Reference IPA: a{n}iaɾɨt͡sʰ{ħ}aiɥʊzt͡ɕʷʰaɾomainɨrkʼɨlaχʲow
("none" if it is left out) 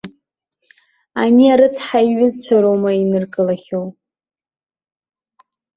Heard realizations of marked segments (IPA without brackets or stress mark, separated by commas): n, ħ